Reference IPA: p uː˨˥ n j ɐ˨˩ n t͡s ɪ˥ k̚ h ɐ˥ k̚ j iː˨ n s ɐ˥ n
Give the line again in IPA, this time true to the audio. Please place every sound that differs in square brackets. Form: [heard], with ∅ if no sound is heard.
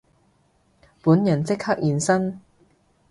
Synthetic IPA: p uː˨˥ n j ɐ˨˩ n t͡s ɪ˥ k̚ h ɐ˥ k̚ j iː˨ n s ɐ˥ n